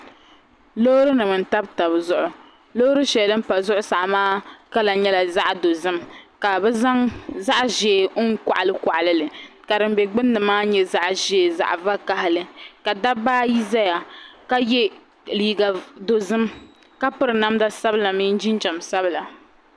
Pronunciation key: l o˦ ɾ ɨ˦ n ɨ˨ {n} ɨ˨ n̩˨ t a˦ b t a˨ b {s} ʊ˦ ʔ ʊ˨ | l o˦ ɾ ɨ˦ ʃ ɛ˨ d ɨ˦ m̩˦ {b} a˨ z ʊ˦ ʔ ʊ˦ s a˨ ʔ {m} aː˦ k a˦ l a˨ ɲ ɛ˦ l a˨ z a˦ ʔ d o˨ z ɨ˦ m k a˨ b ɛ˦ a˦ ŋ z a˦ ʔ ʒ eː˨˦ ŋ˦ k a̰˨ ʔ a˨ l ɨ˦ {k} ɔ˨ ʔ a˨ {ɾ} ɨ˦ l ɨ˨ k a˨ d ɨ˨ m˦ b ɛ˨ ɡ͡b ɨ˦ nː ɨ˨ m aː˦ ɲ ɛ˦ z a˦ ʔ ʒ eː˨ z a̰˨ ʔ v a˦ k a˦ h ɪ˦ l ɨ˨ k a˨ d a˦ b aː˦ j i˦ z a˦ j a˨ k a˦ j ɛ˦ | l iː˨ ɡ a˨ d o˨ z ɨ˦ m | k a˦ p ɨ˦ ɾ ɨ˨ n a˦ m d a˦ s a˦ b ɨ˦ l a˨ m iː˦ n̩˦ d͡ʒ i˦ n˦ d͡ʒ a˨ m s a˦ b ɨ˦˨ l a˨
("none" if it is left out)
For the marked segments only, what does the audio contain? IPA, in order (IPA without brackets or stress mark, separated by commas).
m, z, p, m, k, l